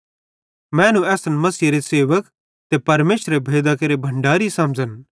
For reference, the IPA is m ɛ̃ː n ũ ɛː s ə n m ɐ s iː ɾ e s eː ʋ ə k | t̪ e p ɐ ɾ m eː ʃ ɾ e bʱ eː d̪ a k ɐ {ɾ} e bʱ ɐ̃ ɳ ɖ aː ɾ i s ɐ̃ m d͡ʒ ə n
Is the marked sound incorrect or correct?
correct